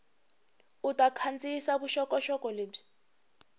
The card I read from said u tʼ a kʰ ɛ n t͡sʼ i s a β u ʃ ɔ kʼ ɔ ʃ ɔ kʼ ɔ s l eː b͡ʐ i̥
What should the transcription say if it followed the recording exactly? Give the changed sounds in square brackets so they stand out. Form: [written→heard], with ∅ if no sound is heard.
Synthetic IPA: u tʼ a kʰ [ɛ→a] n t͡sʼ i s a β u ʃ ɔ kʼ ɔ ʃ ɔ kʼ ɔ [s→∅] l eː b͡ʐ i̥